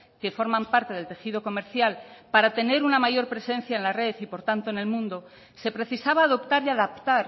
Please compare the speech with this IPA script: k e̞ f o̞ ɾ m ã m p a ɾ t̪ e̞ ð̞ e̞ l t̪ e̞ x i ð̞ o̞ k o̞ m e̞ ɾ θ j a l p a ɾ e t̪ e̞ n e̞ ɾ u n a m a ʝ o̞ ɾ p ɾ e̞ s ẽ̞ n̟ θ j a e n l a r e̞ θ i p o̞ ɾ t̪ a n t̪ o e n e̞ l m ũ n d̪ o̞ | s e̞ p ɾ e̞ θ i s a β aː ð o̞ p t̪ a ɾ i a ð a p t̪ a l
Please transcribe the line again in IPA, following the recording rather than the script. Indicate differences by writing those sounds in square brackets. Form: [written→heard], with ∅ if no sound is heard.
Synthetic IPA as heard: k e̞ f o̞ ɾ m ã m p a ɾ t̪ e̞ ð̞ e̞ l t̪ e̞ x i ð̞ o̞ k o̞ m e̞ ɾ θ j a l p a ɾ [e→a] t̪ e̞ n e̞ ɾ u n a m a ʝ o̞ ɾ p ɾ e̞ s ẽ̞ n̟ θ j a e n l a r e̞ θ i p o̞ ɾ t̪ a n t̪ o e n e̞ l m ũ n d̪ o̞ | s e̞ p ɾ e̞ θ i s a β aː ð o̞ p t̪ a ɾ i a ð a p t̪ a [l→ɾ]